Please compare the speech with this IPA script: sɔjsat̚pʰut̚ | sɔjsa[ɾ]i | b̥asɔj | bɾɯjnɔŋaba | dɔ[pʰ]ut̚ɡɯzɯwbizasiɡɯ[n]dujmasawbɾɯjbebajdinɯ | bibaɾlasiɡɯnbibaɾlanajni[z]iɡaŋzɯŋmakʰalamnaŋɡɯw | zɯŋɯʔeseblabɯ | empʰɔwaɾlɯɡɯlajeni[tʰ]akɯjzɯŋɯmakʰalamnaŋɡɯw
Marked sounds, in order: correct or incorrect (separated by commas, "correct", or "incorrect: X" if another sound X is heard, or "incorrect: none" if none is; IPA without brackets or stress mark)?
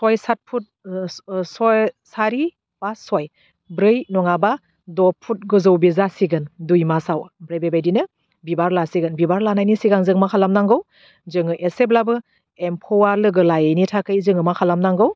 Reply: correct, correct, correct, incorrect: s, correct